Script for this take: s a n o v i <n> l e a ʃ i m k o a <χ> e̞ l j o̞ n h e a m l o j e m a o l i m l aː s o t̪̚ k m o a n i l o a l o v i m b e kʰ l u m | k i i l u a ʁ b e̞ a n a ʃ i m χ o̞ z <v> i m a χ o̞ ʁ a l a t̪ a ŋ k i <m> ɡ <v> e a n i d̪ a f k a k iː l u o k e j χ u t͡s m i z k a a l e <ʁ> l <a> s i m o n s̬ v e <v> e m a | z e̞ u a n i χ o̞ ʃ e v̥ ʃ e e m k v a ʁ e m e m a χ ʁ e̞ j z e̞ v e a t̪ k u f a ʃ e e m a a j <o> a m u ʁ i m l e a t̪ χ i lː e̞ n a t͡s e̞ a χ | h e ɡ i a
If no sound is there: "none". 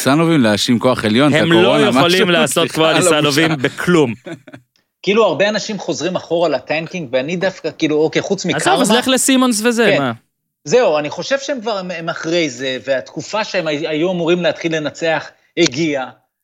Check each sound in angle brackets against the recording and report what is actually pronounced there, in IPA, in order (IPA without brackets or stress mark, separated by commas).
m, χ, ʁ, ŋ, v, χ, e, z, u